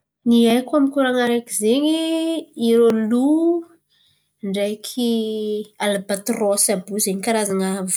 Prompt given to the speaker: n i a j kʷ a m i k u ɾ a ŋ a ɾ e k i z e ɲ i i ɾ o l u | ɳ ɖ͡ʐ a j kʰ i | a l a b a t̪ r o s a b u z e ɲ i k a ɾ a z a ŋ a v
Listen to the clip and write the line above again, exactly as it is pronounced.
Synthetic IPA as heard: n i a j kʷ a m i k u ɾ a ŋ a ɾ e k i z e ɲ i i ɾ o l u | ɳ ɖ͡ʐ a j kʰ i | a l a b a t̪ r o s a b u z e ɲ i k a ɾ a z a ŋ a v